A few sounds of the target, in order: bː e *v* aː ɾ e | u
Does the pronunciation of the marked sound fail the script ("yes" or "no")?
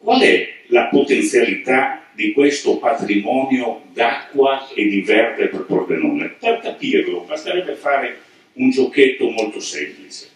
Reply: yes